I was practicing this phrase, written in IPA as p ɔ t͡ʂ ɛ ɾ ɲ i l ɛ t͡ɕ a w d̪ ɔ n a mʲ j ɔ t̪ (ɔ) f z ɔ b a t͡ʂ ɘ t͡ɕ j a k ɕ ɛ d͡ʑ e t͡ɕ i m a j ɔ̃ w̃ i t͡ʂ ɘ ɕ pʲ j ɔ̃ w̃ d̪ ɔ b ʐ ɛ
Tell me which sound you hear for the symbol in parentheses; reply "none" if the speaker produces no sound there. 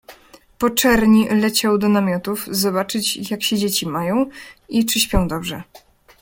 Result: u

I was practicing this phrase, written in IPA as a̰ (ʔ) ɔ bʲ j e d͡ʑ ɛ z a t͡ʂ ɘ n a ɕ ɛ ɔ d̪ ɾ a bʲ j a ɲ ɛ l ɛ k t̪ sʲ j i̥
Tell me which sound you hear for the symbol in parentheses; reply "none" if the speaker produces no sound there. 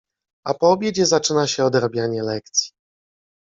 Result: p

